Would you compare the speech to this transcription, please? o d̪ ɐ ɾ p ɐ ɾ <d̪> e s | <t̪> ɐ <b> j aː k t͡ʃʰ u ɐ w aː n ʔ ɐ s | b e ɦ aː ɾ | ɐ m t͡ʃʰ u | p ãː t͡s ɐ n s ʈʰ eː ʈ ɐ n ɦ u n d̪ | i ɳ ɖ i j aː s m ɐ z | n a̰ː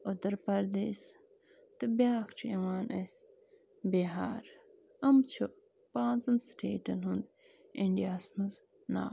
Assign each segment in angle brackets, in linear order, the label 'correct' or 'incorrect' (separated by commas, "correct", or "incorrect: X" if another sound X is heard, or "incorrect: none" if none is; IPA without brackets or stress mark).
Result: correct, correct, correct